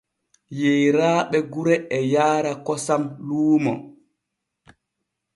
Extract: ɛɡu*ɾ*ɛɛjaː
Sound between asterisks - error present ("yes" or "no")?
no